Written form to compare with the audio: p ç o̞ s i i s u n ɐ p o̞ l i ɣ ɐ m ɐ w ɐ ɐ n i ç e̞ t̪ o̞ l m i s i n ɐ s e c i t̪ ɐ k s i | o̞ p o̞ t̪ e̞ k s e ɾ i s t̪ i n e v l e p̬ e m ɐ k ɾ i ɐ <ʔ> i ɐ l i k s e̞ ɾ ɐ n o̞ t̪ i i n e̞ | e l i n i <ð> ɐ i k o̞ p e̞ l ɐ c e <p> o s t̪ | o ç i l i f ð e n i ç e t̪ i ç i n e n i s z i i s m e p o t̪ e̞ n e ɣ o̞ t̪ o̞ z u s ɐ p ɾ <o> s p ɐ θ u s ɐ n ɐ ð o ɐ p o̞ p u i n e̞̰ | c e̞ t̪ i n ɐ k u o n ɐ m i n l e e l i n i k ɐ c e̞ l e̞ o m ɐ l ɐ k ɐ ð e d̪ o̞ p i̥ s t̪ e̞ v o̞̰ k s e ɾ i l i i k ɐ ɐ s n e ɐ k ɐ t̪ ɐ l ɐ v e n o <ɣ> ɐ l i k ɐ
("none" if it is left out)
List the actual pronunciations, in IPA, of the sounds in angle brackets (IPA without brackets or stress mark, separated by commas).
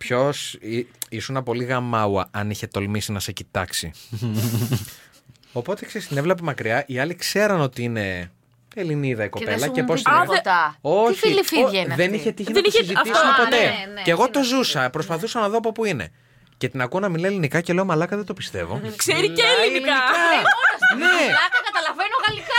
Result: ʔ, ð, p, o, ɣ